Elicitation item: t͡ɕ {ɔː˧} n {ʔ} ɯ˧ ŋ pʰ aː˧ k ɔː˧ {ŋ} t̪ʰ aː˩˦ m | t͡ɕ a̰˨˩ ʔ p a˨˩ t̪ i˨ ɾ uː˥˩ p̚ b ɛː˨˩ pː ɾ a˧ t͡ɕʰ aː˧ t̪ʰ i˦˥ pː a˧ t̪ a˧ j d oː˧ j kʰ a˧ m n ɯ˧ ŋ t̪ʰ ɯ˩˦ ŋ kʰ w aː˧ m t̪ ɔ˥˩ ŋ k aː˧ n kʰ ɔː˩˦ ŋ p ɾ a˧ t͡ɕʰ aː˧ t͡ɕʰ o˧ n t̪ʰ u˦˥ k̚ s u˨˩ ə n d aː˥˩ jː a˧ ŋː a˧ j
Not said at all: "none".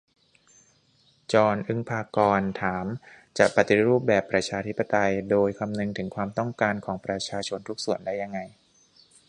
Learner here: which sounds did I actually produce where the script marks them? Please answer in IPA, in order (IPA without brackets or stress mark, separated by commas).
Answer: ɔː˧, ʔ, n